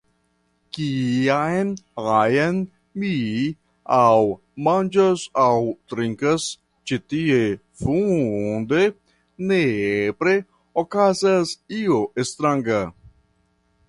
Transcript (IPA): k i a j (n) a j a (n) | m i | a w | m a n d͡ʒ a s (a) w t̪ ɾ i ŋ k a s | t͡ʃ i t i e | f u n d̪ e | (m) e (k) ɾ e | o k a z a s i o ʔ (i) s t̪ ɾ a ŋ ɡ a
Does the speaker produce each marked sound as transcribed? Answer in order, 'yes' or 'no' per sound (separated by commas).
yes, yes, yes, no, no, no